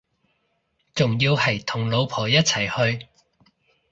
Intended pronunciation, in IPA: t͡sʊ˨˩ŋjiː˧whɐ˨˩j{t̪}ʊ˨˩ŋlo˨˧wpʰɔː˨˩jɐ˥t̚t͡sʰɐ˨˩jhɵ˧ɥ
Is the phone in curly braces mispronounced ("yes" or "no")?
yes